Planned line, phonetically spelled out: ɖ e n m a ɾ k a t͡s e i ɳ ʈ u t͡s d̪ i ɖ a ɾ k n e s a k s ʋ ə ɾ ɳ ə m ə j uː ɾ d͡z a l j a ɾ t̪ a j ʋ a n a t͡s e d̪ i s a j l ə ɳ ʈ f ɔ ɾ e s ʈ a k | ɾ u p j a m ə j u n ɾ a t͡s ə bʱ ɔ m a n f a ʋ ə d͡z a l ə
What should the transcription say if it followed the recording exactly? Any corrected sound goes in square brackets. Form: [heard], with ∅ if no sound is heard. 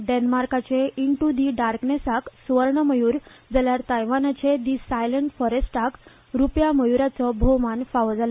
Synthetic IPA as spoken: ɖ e n m a ɾ k a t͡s e i ɳ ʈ u [∅] d̪ i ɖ a ɾ k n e s a k s ʋ ə ɾ ɳ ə m ə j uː ɾ d͡z a l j a ɾ t̪ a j ʋ a n a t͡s e d̪ i s a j l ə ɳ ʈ f ɔ ɾ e s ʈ a k | ɾ u p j a m ə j u [∅] ɾ a t͡s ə bʱ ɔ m a n f a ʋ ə d͡z a l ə